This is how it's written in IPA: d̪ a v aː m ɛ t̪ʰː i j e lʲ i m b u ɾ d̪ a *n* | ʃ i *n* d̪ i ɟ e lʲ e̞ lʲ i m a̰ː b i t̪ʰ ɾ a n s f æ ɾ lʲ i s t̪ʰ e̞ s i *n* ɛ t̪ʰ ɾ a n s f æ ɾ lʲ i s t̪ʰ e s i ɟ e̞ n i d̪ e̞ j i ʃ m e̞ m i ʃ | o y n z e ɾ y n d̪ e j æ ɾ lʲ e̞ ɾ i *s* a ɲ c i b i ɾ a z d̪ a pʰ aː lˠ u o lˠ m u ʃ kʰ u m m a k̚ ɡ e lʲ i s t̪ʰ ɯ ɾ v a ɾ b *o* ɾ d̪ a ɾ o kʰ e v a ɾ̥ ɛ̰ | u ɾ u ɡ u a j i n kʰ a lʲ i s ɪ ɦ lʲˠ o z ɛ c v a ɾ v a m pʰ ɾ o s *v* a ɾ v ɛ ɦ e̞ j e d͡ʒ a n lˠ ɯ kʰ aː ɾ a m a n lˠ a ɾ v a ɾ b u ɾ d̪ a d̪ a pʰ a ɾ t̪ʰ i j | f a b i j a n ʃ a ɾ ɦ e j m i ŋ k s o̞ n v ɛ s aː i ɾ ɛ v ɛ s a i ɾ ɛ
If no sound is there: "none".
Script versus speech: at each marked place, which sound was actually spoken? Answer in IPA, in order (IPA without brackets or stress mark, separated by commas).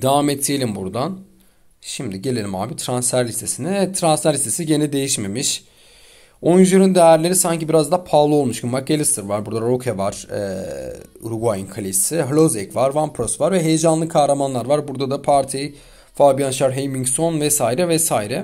n, m, n, s, u, v